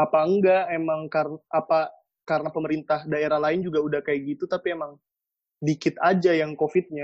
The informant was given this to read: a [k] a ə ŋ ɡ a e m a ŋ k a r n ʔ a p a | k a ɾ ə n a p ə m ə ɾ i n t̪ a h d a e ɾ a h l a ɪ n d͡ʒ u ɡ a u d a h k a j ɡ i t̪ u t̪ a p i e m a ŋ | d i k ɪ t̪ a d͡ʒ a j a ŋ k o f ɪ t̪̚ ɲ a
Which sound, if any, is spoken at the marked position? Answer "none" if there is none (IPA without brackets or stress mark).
p